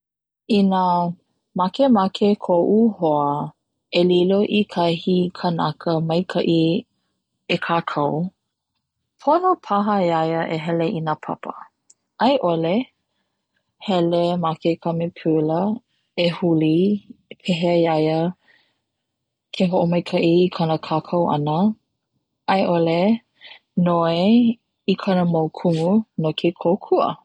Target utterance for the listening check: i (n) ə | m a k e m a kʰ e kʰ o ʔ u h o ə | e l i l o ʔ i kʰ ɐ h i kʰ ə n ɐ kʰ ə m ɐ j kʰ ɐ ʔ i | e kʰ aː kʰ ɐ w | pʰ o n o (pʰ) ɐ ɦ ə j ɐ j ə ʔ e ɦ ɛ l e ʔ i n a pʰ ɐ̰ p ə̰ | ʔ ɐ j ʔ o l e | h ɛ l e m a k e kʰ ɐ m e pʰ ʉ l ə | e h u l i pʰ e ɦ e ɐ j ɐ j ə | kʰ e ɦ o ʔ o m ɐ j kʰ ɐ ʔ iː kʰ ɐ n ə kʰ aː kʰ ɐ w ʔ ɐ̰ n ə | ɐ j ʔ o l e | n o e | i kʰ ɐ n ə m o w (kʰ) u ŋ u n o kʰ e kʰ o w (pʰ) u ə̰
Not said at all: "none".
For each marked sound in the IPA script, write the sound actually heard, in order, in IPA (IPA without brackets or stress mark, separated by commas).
n, pʰ, kʰ, kʰ